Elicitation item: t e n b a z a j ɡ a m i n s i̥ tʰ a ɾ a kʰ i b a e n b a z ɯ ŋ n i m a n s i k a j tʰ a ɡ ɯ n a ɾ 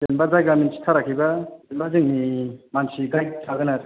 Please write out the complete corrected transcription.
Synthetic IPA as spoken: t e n b a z a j ɡ a m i n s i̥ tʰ a ɾ a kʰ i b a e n b a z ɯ ŋ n i m a n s i ɡ a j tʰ a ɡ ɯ n a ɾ